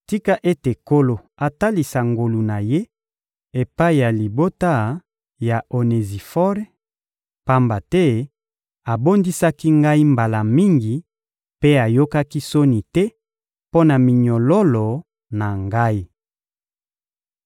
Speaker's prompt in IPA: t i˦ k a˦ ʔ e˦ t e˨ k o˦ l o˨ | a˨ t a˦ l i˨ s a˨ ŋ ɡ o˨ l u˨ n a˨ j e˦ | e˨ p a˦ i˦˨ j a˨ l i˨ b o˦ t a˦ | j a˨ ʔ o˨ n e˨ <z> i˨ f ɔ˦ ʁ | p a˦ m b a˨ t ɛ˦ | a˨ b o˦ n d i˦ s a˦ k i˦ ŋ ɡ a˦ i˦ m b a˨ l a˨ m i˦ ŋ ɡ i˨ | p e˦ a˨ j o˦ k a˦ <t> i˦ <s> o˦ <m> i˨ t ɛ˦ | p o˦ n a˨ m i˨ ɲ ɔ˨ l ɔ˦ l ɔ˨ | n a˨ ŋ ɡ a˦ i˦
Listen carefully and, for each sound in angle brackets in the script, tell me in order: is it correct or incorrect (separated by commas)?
correct, incorrect, correct, incorrect